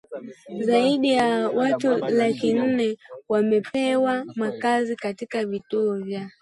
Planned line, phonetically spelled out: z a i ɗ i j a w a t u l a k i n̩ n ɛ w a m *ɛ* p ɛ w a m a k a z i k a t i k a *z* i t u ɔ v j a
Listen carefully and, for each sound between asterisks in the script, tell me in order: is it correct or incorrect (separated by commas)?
correct, incorrect